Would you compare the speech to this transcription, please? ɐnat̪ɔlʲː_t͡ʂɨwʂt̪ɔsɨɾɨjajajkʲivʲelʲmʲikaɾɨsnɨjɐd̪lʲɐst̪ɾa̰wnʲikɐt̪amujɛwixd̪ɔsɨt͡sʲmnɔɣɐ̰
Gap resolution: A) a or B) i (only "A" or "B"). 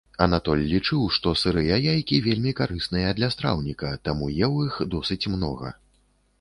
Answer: B